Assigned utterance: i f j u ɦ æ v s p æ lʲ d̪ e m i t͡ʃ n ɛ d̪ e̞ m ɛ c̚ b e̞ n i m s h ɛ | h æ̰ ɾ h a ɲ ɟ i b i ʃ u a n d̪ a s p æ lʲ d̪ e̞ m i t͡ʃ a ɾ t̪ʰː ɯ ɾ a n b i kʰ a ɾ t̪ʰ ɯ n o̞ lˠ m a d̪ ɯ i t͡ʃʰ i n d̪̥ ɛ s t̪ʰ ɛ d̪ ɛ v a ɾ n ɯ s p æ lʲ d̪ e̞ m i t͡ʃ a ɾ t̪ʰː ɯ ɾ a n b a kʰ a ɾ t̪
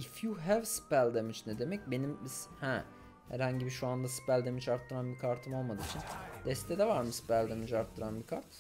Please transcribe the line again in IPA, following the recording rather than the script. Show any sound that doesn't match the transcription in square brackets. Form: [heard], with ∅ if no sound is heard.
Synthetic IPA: i f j u ɦ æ v s p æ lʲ d̪ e m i t͡ʃ n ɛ d̪ e̞ m ɛ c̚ b e̞ n i m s h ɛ | h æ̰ ɾ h a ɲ ɟ i b i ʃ u a n d̪ a s p æ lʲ d̪ e̞ m i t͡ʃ a ɾ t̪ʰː ɯ ɾ a n b i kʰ a ɾ t̪ʰ ɯ [m] o̞ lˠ m a d̪ ɯ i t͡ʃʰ i n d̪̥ ɛ s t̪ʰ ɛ d̪ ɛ v a ɾ [m] ɯ s p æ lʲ d̪ e̞ m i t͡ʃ a ɾ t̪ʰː ɯ ɾ a n b [i] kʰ a ɾ t̪